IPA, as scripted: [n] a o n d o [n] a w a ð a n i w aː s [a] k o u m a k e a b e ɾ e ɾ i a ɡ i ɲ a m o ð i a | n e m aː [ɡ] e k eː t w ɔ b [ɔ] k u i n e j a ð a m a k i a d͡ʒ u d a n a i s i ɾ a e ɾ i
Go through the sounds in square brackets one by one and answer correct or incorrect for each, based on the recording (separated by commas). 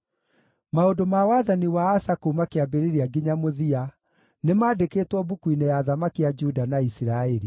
incorrect, incorrect, correct, incorrect, incorrect